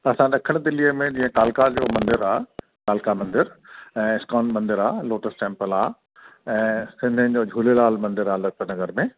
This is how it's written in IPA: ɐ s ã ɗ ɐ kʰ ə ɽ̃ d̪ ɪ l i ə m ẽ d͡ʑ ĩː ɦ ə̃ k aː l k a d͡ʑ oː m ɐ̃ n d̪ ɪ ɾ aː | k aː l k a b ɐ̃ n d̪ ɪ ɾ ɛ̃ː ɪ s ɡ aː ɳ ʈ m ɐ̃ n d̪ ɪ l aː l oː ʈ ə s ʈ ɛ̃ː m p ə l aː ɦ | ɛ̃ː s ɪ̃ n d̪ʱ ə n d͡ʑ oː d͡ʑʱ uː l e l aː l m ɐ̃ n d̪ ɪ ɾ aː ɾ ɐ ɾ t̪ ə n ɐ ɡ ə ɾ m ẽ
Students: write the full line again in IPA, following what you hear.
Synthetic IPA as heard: ɐ s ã ɗ ɐ kʰ ə ɽ̃ d̪ ɪ l i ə m ẽ d͡ʑ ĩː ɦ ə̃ k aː l k a d͡ʑ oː m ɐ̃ n d̪ ɪ ɾ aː | k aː l k a m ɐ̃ n d̪ ɪ ɾ ɛ̃ː ɪ s k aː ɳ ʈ m ɐ̃ n d̪ ɪ ɾ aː l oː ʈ ə s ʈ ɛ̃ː m p ə l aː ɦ | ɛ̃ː s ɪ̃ n d̪ʱ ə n d͡ʑ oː d͡ʑʱ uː l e l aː l m ɐ̃ n d̪ ɪ ɾ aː l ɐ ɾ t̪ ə n ɐ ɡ ə ɾ m ẽ